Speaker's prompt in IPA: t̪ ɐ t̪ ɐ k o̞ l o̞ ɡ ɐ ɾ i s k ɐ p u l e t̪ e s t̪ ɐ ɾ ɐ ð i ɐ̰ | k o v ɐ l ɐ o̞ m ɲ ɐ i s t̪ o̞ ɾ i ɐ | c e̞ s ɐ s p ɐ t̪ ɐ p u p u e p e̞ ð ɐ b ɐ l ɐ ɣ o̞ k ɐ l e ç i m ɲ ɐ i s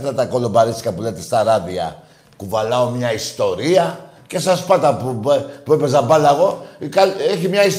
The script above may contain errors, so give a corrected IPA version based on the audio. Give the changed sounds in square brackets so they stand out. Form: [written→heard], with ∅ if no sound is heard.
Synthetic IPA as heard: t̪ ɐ t̪ ɐ k o̞ l o̞ [ɡ→b] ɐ ɾ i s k ɐ p u l e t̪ e s t̪ ɐ ɾ ɐ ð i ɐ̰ | k [o→u] v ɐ l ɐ o̞ m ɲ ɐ i s t̪ o̞ ɾ i ɐ | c e̞ s ɐ s p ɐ t̪ ɐ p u p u e p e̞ [ð→z] ɐ b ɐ l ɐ ɣ o̞ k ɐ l e ç i m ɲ ɐ i s